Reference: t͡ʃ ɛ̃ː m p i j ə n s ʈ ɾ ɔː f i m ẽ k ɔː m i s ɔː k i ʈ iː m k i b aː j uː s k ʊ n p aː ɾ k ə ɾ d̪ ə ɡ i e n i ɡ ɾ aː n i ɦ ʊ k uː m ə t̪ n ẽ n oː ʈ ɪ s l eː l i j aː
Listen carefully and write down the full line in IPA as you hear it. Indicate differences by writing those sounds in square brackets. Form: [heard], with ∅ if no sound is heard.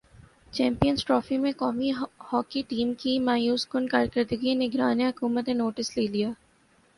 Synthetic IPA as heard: t͡ʃ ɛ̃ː m p i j ə n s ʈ ɾ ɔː f i m ẽ k ɔː m i [h] ɔː k i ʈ iː m k i [m] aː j uː s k ʊ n [k] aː ɾ k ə ɾ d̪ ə ɡ i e n [ɪ] ɡ ɾ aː n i ɦ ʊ k uː m ə t̪ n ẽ n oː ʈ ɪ s l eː l i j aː

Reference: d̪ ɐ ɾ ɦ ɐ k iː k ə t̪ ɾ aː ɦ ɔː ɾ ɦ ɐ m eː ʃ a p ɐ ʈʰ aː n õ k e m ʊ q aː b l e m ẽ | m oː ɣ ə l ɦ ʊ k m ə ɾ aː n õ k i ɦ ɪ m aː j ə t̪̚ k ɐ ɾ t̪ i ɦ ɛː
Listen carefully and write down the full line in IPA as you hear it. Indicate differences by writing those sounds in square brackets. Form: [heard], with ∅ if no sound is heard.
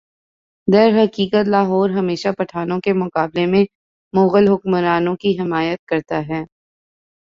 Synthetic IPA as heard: d̪ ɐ ɾ ɦ ɐ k iː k ə t̪ [l] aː ɦ ɔː ɾ ɦ ɐ m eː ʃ a p ɐ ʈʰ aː n õ k e m ʊ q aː b l e m ẽ | m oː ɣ ə l ɦ ʊ k m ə ɾ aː n õ k i ɦ ɪ m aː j ə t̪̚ k ɐ ɾ t̪ [a] ɦ ɛː

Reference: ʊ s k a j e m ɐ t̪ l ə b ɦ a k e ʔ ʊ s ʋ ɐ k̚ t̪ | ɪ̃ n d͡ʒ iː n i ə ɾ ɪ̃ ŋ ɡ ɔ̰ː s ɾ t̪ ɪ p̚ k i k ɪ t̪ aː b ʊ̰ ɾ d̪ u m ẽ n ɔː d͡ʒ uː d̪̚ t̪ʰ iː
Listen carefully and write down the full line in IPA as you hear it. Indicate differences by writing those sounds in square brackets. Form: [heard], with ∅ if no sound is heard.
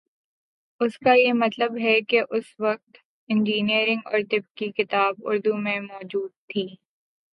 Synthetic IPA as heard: ʊ s k a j e m ɐ t̪ l ə b ɦ [ɛ] k e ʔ ʊ s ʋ ɐ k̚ t̪ | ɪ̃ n d͡ʒ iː n i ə ɾ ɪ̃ ŋ ɡ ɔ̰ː [∅] ɾ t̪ ɪ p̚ k i k ɪ t̪ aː b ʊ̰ ɾ d̪ u m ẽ [m] ɔː d͡ʒ uː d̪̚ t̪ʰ iː

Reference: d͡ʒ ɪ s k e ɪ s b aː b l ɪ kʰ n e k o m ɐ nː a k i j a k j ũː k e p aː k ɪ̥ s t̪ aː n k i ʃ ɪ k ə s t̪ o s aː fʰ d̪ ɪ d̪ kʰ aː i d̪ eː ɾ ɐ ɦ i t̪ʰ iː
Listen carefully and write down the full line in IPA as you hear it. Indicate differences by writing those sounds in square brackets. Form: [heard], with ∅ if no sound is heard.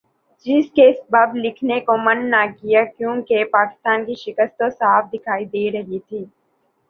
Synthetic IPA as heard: d͡ʒ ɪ s k e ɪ s b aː b l ɪ kʰ n e k o m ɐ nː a k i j a k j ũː k e p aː k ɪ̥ s t̪ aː n k i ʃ ɪ k ə s t̪ o s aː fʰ d̪ ɪ [∅] kʰ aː i d̪ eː ɾ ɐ ɦ i t̪ʰ iː

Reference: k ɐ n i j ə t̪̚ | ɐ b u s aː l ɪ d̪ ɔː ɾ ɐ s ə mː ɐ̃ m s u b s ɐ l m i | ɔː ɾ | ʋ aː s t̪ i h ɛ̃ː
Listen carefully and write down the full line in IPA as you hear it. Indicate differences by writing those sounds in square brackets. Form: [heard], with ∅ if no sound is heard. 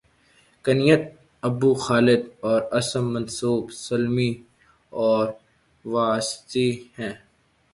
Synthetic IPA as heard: k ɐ n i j ə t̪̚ | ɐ b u [x] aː l ɪ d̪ ɔː ɾ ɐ s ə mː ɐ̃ [n] s [uː] b s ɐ l m i | ɔː ɾ | ʋ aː s t̪ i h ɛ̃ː

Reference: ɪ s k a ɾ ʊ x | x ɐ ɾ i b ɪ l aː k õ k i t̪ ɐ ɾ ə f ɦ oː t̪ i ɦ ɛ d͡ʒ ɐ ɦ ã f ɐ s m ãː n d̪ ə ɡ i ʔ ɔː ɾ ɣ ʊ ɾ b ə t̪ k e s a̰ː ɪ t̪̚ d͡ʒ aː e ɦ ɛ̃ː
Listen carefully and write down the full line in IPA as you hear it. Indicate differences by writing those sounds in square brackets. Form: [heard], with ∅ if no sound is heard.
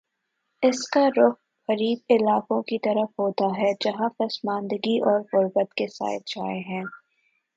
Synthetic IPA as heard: ɪ s k a ɾ ʊ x | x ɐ ɾ [iː] b ɪ l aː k õ k i t̪ ɐ ɾ ə f ɦ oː t̪ [a] ɦ ɛ d͡ʒ ɐ ɦ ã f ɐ s m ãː n d̪ ə ɡ i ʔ ɔː ɾ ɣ ʊ ɾ b ə t̪ k e s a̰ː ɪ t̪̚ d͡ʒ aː e ɦ ɛ̃ː

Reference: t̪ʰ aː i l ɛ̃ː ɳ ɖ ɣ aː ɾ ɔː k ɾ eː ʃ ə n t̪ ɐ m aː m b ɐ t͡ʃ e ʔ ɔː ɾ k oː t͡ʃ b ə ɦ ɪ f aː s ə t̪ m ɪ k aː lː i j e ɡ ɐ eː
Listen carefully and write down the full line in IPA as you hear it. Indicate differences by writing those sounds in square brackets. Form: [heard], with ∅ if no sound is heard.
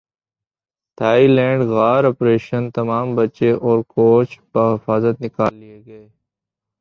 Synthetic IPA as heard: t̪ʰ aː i l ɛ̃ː ɳ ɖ ɣ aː ɾ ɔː [p] ɾ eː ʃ ə n t̪ ɐ m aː m b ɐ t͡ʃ e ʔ ɔː ɾ k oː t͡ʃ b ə ɦ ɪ f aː [z] ə t̪ [n] ɪ k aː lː i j e ɡ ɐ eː

